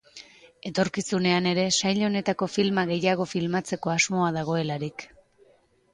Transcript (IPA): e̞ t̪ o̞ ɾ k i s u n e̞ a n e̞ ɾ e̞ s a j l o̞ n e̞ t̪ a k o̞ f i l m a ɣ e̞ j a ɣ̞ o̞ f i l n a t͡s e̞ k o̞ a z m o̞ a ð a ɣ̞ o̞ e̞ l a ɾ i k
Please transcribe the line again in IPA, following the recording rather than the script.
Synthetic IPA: e̞ t̪ o̞ ɾ k i s u n e̞ a n e̞ ɾ e̞ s a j ʎ o̞ n e̞ t̪ a k o̞ f i l m a ɣ e̞ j a ɣ̞ o̞ f i l m a t͡s e̞ k o̞ a z m o̞ a ð a ɣ̞ o̞ e̞ l a ɾ i k